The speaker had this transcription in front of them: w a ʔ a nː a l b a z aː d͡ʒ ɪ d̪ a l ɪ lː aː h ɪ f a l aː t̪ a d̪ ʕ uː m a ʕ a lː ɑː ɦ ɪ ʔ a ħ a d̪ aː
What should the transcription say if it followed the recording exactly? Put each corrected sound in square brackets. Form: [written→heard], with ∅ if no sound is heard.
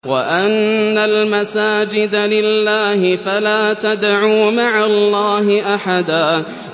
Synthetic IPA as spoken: w a ʔ a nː a l [b→m] a [z→s] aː d͡ʒ ɪ d̪ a l ɪ lː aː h ɪ f a l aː t̪ a d̪ ʕ uː m a ʕ a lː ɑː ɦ ɪ ʔ a ħ a d̪ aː